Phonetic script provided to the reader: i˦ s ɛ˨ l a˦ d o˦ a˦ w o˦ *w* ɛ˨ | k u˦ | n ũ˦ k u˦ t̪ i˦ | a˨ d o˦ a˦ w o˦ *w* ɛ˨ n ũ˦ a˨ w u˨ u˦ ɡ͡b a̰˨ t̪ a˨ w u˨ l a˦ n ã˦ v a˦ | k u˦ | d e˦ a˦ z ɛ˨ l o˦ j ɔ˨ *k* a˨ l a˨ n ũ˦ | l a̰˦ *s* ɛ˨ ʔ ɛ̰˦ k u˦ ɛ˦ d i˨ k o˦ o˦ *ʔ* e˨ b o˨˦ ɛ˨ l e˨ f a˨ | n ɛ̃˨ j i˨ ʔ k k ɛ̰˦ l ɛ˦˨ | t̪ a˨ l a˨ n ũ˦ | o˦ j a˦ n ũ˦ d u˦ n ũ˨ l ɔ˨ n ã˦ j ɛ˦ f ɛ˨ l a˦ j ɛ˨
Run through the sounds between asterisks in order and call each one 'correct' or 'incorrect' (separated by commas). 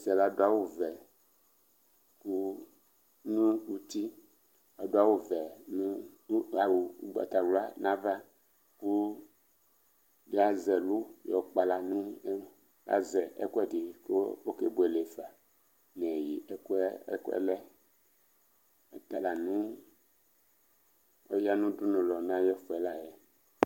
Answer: incorrect, incorrect, incorrect, incorrect, incorrect